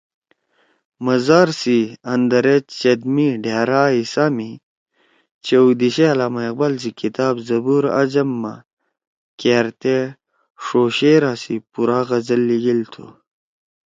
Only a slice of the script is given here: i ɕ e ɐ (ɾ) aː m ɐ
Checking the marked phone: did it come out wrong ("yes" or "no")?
yes